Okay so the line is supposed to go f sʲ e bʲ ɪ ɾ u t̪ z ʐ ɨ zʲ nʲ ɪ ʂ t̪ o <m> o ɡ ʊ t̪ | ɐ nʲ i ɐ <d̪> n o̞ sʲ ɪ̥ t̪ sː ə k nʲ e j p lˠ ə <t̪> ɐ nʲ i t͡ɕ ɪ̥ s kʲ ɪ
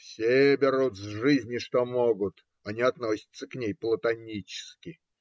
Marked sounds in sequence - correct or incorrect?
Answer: correct, incorrect: t̪, correct

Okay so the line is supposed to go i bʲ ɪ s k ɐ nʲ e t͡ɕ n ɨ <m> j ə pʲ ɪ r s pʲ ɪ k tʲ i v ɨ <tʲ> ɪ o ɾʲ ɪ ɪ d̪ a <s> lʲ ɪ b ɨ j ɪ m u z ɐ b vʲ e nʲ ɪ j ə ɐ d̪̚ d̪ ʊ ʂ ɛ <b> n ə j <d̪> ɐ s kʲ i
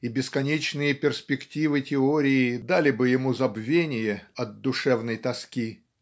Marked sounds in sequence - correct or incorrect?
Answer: incorrect: none, correct, incorrect: none, incorrect: v, incorrect: t̪

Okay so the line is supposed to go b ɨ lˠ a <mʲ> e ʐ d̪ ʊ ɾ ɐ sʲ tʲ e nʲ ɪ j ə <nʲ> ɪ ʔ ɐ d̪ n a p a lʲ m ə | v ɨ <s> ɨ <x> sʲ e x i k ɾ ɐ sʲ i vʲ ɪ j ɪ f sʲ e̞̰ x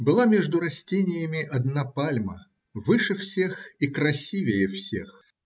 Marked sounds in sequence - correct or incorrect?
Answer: correct, incorrect: mʲ, incorrect: ʂ, incorrect: f

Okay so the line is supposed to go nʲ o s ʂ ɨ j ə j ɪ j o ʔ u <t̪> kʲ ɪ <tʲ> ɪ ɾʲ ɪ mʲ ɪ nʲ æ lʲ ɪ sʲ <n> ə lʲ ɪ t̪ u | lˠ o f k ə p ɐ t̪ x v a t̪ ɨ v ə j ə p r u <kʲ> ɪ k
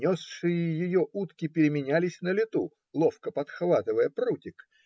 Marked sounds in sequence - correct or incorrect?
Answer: correct, incorrect: pʲ, correct, incorrect: tʲ

